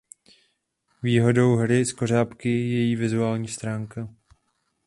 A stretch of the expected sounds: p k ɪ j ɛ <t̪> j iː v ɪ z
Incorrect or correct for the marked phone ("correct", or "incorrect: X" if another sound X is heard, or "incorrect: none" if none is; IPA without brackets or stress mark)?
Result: incorrect: none